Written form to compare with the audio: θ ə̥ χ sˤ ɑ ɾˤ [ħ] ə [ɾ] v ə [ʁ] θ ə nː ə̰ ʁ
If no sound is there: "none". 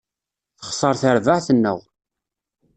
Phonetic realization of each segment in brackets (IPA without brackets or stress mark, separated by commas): θ, ɾ, ʕ